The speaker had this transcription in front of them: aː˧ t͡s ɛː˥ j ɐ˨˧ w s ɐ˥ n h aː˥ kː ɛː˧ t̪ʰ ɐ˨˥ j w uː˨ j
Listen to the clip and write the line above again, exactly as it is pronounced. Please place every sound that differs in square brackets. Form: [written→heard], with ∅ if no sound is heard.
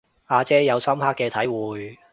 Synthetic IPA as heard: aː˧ t͡s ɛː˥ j ɐ˨˧ w s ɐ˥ [n→m] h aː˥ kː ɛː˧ t̪ʰ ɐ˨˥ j w uː˨ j